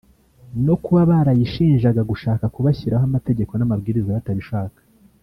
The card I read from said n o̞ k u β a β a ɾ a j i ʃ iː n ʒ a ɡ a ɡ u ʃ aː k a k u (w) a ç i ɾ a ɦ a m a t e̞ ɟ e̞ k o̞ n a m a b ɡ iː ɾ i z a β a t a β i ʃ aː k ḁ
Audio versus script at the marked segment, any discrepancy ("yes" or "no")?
yes